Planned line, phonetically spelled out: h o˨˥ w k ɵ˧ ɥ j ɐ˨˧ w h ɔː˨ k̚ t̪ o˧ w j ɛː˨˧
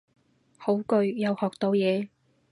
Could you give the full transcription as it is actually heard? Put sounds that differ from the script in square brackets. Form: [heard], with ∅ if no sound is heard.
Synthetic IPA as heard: h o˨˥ w k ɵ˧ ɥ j ɐ˨˧ w h ɔː˨ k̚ t̪ o˧ w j ɛː˨˧